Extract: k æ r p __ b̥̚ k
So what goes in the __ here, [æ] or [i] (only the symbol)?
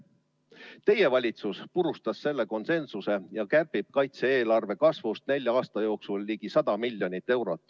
i